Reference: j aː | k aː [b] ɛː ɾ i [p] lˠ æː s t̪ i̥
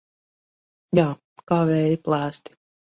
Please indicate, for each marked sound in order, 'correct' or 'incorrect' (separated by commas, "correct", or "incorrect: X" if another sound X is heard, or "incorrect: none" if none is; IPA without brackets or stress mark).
incorrect: v, correct